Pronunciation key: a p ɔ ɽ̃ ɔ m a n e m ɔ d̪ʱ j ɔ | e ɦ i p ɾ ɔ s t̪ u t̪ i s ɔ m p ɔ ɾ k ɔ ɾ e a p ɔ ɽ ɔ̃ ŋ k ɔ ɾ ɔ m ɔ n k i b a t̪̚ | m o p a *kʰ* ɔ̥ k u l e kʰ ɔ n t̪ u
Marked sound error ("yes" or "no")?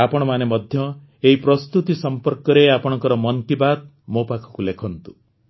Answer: no